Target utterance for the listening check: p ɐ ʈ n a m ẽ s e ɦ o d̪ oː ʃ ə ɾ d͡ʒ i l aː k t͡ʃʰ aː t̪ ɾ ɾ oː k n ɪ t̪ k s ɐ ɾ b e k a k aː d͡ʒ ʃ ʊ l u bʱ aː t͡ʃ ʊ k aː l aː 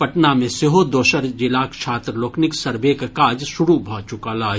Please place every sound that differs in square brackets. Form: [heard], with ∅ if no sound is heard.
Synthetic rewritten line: p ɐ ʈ n a m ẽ s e ɦ o d̪ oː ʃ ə ɾ d͡ʒ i l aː k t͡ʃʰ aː t̪ ɾ [l] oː k n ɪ [∅] k s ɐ ɾ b e k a k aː d͡ʒ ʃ ʊ [ɽ] u bʱ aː t͡ʃ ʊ k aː l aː